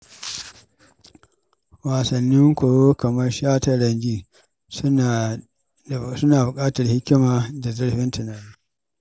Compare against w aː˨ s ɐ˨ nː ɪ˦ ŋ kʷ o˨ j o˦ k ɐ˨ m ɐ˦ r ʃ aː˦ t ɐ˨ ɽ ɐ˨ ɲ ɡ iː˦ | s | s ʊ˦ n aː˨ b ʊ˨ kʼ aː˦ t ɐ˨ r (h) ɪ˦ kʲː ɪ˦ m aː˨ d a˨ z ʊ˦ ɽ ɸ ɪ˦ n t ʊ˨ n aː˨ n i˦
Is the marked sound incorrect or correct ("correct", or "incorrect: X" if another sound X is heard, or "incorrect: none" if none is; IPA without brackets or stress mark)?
correct